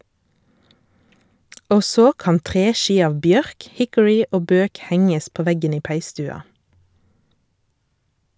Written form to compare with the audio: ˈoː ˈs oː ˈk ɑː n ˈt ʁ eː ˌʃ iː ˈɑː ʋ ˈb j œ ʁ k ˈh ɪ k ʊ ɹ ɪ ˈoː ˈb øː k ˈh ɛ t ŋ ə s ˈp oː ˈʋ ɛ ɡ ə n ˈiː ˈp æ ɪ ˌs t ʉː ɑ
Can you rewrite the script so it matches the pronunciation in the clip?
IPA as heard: ˈoː ˈs oː ˈk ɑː n ˈt ʁ eː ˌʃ iː ˈɑː ʋ ˈb j œ ʁ k ˈh ɪ k ʊ ɹ ɪ ˈoː ˈb øː k ˈh ɛ ŋ ə s ˈp oː ˈʋ ɛ ɡ ə n ˈiː ˈp æ ɪ ˌs t ʉː ɑ